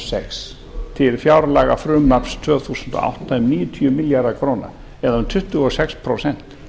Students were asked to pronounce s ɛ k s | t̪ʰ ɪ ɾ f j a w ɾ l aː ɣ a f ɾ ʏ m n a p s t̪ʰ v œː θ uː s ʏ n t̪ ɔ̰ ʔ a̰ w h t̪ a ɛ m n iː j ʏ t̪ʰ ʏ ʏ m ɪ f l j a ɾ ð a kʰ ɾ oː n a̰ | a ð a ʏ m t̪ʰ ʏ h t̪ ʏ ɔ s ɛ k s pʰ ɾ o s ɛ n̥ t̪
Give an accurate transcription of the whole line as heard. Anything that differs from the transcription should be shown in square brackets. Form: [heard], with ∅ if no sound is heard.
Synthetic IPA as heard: s ɛ k s | t̪ʰ ɪ [l] f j a w ɾ l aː ɣ a f ɾ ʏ m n a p s t̪ʰ v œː θ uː s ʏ n t̪ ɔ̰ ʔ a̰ w h t̪ a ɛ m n iː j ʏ t̪ʰ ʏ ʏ m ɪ [∅] l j a ɾ ð a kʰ ɾ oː n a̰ | [ɛ] ð a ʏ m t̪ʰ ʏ h t̪ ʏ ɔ s ɛ k s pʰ ɾ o s ɛ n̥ t̪